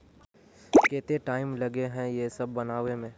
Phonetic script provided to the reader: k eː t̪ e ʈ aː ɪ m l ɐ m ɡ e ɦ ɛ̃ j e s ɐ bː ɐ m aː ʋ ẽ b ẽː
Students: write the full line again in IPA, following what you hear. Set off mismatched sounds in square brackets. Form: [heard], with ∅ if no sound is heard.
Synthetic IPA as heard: k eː t̪ e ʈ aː ɪ m l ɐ [∅] ɡ e ɦ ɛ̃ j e s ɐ bː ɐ [n] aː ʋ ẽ [m] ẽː